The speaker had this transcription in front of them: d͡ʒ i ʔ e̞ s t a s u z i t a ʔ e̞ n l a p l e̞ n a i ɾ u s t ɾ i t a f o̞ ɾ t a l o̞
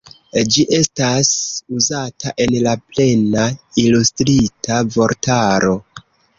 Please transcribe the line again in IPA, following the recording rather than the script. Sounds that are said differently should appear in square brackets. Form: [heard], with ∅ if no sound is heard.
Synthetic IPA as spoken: d͡ʒ i ʔ e̞ s t a s u z [a] t a ʔ e̞ n l a p l e̞ n a i [l] u s t ɾ i t a [v] o̞ ɾ t a [ɾ] o̞

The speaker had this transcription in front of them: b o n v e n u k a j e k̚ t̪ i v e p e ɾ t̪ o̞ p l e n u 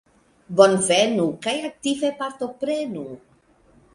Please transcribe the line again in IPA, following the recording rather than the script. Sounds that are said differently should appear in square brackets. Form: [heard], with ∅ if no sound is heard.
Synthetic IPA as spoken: b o n v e n u k a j [a] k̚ t̪ i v e p [a] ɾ t̪ o̞ p [ɾ] e n u

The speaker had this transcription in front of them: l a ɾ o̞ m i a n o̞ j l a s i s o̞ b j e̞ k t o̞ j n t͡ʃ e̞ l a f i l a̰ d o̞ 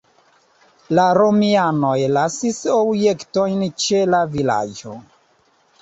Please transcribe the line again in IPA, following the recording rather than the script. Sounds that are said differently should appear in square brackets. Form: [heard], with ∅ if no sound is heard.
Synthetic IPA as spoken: l a ɾ o̞ m i a n o̞ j l a s i s o̞ b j e̞ k t o̞ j n t͡ʃ e̞ l a [v] i l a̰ [d͡ʒ] o̞

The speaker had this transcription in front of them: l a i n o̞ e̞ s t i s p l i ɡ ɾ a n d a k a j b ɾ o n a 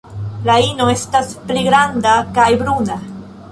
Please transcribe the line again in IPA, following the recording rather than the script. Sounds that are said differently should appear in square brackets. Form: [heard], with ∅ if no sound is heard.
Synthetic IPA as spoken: l a i n o̞ e̞ s t [a] s p l i ɡ ɾ a n d a k a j b ɾ [u] n a

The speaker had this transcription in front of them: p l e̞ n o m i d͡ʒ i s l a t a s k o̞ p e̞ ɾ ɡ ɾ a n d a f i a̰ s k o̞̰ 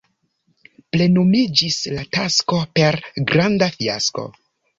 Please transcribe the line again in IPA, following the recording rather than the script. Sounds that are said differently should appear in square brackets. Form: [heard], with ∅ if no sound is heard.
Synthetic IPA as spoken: p l e̞ n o m i d͡ʒ i s l a t a s k o̞ p e̞ ɾ ɡ ɾ a n d a f i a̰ s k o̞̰

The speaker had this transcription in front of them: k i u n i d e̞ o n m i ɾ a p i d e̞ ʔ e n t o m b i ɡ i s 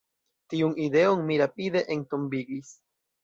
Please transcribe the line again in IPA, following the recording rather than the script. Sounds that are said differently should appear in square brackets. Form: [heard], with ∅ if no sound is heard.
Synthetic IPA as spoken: [t] i u n i d e̞ o n m i ɾ a p i d e̞ ʔ e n t o m b i ɡ i s

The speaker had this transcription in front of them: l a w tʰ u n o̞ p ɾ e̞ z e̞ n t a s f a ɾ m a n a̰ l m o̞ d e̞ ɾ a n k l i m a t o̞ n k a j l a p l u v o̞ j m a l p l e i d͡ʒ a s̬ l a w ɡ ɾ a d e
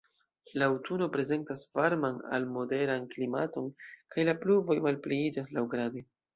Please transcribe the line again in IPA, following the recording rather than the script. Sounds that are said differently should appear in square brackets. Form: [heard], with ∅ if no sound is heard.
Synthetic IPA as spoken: l a w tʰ u n o̞ p ɾ e̞ z e̞ n t a s [v] a ɾ m a n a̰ l m o̞ d e̞ ɾ a n k l i m a t o̞ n k a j l a p l u v o̞ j m a l p l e i d͡ʒ a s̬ l a w ɡ ɾ a d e

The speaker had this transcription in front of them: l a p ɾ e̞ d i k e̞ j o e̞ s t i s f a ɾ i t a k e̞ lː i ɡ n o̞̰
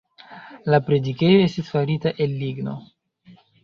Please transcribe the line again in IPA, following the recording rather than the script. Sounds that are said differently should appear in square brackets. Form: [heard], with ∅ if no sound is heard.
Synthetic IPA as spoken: l a p ɾ e̞ d i k e̞ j o e̞ s t i s f a ɾ i t a [ʔ] e̞ lː i ɡ n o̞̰

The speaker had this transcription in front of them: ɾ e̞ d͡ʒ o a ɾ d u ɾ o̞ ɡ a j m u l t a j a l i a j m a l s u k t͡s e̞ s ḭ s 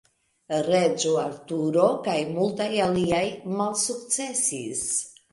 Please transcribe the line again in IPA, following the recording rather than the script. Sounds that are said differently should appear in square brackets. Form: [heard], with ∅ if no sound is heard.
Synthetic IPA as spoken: ɾ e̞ d͡ʒ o a ɾ [t] u ɾ o̞ [k] a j m u l t a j a l i a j m a l s u k t͡s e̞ s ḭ s

